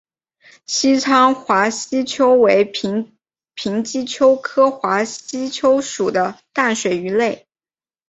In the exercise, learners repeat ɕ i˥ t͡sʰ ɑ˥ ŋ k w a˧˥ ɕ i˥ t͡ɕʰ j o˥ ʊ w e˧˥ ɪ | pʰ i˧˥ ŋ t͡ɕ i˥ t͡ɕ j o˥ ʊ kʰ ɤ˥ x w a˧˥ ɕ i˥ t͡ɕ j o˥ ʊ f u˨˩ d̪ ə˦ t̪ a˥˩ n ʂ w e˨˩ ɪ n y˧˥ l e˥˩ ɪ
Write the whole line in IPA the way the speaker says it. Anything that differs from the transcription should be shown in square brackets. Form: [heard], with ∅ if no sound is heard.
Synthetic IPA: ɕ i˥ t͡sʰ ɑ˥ ŋ [x] w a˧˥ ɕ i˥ t͡ɕʰ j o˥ ʊ w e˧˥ ɪ | pʰ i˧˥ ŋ t͡ɕ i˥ [t͡ɕʰ] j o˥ ʊ kʰ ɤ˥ x w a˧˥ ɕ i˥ [t͡ɕʰ] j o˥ ʊ [ʂ] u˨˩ d̪ ə˦ t̪ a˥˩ n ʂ w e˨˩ ɪ [∅] y˧˥ l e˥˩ ɪ